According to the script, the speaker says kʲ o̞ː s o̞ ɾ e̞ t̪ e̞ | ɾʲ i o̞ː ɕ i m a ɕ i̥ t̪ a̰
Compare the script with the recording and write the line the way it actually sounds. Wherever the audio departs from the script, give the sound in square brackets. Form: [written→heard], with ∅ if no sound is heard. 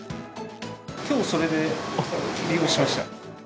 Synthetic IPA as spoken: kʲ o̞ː s o̞ ɾ e̞ [t̪→d̪] e̞ | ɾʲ i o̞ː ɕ i m a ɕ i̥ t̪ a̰

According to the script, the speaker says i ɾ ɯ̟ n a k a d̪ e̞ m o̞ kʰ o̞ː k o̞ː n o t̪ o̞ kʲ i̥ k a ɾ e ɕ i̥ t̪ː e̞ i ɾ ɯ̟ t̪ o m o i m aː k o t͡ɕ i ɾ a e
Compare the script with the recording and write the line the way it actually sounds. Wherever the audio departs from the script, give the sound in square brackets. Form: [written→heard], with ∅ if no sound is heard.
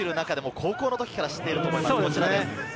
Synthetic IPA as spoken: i ɾ ɯ̟ n a k a d̪ e̞ m o̞ kʰ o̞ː k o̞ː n o t̪ o̞ kʲ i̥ k a ɾ [e→a] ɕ i̥ t̪ː e̞ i ɾ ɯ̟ t̪ o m o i m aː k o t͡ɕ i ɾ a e

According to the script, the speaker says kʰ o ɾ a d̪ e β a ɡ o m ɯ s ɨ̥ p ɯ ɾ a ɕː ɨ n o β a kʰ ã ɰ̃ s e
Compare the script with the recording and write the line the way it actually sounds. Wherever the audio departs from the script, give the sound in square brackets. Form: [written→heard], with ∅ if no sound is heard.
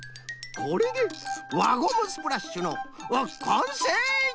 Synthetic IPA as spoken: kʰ o ɾ [a→e] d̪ e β a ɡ o m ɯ s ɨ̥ p ɯ ɾ a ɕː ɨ n o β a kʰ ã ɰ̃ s e

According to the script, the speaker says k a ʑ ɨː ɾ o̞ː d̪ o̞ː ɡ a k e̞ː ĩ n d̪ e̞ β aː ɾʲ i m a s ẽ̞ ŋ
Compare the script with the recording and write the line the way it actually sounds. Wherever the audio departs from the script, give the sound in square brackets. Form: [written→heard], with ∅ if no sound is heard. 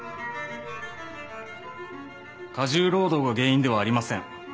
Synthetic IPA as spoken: k a ʑ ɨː ɾ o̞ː d̪ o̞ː ɡ a [k→ɡ] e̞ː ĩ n d̪ e̞ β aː ɾʲ i m a s ẽ̞ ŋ

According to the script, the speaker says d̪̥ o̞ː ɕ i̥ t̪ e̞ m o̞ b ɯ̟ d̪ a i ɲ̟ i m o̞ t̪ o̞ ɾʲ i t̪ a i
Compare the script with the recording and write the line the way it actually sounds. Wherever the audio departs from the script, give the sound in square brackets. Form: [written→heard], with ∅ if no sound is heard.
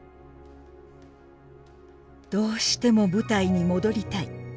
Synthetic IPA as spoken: d̪̥ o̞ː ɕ i̥ t̪ e̞ m o̞ b ɯ̟ [d̪→t̪] a i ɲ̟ i m o̞ [t̪→d̪] o̞ ɾʲ i t̪ a i

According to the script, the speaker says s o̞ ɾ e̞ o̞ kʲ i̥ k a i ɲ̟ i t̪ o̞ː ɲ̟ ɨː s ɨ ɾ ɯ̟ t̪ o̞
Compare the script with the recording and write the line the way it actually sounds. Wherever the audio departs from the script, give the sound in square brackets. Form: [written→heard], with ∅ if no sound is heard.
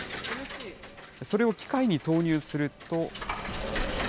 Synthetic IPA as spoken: s o̞ ɾ e̞ o̞ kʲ i̥ k a i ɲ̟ i t̪ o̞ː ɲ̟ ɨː s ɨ ɾ ɯ̟ t̪ o̞

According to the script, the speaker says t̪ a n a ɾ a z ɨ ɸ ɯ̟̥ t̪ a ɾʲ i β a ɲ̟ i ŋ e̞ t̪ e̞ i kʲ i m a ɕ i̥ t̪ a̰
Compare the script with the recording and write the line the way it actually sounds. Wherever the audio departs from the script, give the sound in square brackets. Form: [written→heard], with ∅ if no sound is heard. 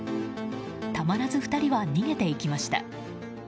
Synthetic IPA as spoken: t̪ a [n→m] a ɾ a z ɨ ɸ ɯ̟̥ t̪ a ɾʲ i β a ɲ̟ i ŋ e̞ t̪ e̞ i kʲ i m a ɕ i̥ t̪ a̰

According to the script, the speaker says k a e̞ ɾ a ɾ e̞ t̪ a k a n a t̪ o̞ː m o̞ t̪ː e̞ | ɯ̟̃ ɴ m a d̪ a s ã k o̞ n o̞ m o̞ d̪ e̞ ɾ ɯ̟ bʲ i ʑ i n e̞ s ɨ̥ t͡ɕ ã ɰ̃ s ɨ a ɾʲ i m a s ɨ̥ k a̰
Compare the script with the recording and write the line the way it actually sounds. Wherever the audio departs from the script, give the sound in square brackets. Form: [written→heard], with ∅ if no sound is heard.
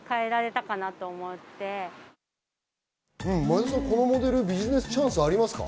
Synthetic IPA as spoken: k a e̞ ɾ a ɾ e̞ t̪ a k a n a t̪ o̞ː m o̞ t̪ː e̞ | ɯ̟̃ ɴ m a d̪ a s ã k o̞ n o̞ m o̞ d̪ e̞ ɾ ɯ̟ bʲ i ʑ i n e̞ s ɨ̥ t͡ɕ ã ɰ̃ s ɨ a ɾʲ i m a s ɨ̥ k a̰

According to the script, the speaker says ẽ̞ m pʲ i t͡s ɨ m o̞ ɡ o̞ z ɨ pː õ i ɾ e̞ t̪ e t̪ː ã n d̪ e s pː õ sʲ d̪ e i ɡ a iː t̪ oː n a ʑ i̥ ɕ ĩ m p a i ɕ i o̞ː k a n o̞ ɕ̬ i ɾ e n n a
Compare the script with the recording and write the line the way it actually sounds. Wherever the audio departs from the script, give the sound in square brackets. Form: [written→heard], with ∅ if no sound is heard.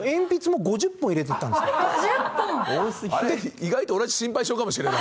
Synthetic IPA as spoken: ẽ̞ m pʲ i t͡s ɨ m o̞ ɡ o̞ [z→ʑ] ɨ pː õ i ɾ e̞ t̪ e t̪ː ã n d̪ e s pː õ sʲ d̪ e i ɡ a [iː→i] t̪ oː n a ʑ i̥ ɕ ĩ m p a i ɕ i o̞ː k a [n→m] o̞ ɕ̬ i ɾ e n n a

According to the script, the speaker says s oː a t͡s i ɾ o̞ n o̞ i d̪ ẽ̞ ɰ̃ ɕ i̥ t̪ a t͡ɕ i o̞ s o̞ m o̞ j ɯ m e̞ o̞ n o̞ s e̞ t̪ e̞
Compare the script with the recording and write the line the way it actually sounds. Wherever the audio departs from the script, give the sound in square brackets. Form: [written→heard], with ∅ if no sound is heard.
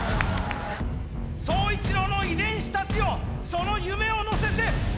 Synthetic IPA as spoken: s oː [a→i] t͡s i ɾ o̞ n o̞ i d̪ ẽ̞ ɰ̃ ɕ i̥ t̪ a t͡ɕ i o̞ s o̞ [m→n] o̞ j ɯ m e̞ o̞ n o̞ s e̞ t̪ e̞

